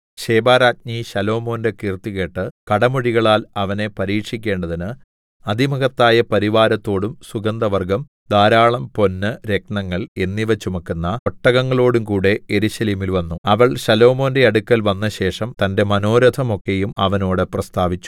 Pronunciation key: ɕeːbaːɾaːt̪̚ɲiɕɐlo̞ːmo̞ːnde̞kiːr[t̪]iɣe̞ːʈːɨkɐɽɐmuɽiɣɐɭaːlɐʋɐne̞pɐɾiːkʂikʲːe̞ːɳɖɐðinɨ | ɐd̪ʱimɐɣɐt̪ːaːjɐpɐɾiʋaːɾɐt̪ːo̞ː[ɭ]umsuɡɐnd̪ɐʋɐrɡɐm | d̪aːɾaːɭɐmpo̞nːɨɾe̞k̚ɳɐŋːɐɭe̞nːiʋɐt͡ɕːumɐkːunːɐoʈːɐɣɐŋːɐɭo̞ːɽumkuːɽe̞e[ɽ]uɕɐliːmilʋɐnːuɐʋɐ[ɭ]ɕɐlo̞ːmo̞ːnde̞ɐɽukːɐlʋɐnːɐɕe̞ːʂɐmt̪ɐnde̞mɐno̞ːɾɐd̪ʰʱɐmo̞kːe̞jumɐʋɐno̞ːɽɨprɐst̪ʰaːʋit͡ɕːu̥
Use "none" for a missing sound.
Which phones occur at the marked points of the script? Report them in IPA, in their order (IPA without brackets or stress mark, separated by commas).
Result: t̪, ɽ, ɾ, ɭ